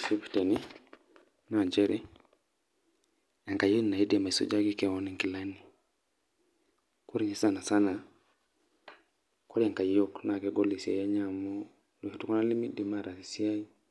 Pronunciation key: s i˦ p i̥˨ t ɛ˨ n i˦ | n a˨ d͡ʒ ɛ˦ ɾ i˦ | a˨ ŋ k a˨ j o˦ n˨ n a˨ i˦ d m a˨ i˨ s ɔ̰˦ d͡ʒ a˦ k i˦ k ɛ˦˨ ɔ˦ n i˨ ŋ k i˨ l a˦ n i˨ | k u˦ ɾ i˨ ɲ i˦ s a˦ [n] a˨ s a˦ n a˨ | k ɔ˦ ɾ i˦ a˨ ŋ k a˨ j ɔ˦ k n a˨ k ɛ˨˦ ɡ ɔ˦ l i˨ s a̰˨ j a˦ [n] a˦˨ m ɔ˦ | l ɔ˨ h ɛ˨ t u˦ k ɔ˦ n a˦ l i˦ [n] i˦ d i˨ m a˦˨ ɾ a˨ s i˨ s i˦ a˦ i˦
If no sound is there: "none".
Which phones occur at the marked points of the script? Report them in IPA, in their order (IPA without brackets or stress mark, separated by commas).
n, ɲ, m